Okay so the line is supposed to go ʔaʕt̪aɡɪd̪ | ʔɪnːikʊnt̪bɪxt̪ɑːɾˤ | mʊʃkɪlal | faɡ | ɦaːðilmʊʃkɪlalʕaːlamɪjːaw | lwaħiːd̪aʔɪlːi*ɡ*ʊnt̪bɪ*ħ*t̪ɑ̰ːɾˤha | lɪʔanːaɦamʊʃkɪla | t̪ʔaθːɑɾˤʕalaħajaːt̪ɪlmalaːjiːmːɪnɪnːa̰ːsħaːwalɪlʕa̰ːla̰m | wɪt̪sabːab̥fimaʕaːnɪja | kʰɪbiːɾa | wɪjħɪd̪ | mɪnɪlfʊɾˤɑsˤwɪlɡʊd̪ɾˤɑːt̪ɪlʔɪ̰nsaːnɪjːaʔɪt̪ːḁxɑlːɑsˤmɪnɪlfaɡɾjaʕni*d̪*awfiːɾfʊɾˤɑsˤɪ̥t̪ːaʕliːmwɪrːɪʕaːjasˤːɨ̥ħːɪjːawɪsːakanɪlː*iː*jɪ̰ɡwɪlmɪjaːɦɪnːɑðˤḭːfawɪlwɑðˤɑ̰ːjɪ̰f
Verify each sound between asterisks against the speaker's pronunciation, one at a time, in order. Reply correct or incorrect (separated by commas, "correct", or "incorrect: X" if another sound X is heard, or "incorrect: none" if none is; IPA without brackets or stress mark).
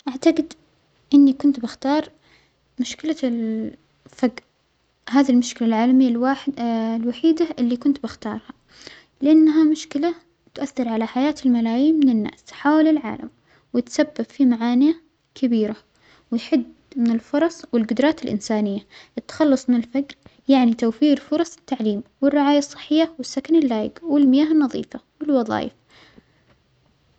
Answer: incorrect: k, incorrect: x, incorrect: t̪, incorrect: aː